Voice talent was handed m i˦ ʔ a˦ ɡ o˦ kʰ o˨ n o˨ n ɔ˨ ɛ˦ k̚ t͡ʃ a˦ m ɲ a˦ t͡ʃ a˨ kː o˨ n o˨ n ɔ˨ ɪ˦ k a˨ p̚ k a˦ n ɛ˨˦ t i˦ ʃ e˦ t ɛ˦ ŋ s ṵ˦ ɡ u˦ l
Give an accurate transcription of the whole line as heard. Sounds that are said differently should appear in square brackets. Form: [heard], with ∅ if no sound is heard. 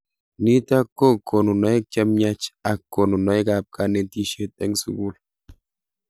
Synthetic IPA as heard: [n] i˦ [t] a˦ [k] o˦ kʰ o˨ n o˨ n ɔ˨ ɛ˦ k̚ t͡ʃ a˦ m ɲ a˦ t͡ʃ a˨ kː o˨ n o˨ n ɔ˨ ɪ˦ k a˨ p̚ k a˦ n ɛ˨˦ t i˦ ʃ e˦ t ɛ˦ ŋ s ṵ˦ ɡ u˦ l